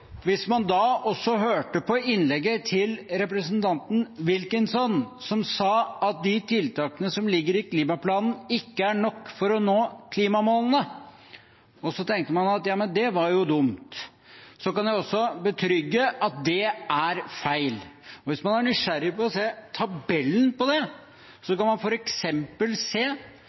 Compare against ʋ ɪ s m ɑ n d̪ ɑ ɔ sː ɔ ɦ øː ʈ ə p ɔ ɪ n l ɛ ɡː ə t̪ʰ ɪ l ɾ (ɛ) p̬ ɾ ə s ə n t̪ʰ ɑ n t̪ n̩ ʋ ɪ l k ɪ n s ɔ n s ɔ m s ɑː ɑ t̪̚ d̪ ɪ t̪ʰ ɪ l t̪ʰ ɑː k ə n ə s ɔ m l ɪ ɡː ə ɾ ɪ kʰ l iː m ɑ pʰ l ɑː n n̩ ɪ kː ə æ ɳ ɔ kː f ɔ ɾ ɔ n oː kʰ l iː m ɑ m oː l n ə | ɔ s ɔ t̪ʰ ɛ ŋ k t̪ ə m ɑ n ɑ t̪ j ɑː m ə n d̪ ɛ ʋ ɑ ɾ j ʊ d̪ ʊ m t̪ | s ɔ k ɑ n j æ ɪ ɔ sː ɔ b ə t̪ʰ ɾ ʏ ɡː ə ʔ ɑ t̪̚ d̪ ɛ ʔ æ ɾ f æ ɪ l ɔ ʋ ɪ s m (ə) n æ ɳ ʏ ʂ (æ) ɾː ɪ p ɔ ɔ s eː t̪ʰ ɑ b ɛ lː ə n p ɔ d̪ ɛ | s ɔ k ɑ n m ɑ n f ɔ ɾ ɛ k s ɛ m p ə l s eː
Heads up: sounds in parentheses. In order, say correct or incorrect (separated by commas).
correct, incorrect, correct